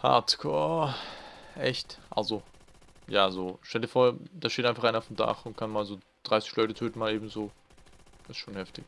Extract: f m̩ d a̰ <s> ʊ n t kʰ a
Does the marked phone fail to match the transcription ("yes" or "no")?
yes